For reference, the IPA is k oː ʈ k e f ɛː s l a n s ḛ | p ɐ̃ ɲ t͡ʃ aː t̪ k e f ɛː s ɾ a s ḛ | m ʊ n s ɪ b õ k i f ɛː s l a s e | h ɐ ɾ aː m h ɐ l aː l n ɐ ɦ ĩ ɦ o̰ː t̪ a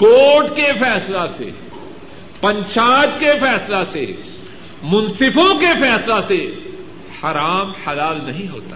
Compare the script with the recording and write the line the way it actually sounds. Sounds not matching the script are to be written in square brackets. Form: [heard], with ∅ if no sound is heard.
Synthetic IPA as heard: k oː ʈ k e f ɛː s l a [∅] s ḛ | p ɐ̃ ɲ t͡ʃ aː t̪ k e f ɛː s [l] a s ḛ | m ʊ n s ɪ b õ k [e] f ɛː s l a s e | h ɐ ɾ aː m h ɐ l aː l n ɐ ɦ ĩ ɦ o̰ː t̪ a